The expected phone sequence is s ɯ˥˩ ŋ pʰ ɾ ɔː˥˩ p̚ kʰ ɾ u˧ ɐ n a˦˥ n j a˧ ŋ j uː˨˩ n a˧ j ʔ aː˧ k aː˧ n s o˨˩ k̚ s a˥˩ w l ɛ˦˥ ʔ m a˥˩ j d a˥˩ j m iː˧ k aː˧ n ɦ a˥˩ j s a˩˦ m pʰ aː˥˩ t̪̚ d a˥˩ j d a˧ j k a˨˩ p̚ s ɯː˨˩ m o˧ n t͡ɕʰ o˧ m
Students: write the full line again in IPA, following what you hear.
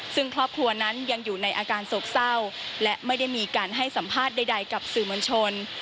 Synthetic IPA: s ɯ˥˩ ŋ kʰ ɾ ɔː˥˩ p̚ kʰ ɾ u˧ ɐ n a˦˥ n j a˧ ŋ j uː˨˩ n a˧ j ʔ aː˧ k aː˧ n s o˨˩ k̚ s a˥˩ w l ɛ˦˥ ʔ m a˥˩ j d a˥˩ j m iː˧ k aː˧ n ɦ a˥˩ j s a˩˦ m pʰ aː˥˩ t̪̚ d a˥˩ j d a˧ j k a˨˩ p̚ s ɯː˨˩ m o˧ n t͡ɕʰ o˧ n